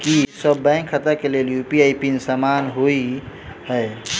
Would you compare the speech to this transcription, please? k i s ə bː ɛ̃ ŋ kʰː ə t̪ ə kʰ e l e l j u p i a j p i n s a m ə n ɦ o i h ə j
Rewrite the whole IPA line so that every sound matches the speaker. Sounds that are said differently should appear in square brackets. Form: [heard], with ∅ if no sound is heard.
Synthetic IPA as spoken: k i s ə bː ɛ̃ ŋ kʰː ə t̪ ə [k] e l e l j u p i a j p i n s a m [a] n ɦ o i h ə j